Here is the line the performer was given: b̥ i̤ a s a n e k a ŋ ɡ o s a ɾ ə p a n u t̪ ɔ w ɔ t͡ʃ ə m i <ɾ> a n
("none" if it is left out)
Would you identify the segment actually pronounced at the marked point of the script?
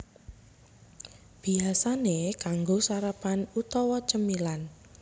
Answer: l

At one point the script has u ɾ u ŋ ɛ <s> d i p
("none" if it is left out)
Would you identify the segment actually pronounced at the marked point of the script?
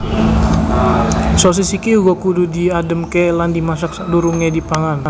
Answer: none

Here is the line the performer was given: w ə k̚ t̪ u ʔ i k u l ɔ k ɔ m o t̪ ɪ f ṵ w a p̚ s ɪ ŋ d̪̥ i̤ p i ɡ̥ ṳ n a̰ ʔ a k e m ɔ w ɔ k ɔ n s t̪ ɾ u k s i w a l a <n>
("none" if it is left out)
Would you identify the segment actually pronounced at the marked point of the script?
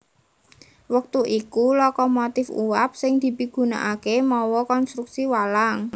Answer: ŋ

